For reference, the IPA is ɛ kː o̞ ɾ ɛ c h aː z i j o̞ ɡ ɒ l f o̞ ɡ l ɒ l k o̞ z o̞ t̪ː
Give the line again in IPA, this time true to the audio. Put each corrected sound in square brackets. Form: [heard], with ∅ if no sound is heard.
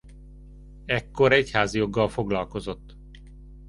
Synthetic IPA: ɛ kː o̞ ɾ ɛ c h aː z i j o̞ [ɡː] ɒ l f o̞ ɡ l ɒ l k o̞ z o̞ t̪ː